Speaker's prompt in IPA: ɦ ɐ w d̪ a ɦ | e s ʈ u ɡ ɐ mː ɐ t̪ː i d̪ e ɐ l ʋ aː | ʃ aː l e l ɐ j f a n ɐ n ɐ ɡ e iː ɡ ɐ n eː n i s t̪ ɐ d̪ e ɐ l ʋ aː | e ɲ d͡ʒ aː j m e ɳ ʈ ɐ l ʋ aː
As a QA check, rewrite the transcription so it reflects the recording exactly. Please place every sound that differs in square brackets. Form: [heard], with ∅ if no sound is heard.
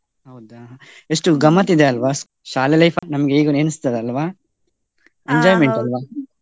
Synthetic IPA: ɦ ɐ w d̪ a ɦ | e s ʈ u ɡ ɐ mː ɐ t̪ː i d̪ e ɐ l ʋ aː | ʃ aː l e l ɐ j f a n ɐ [m] ɐ ɡ e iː ɡ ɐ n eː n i s t̪ ɐ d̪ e ɐ l ʋ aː | e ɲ d͡ʒ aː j m e ɳ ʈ ɐ l ʋ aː